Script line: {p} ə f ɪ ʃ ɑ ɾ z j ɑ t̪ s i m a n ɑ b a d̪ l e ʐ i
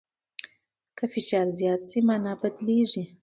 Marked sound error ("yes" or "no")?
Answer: yes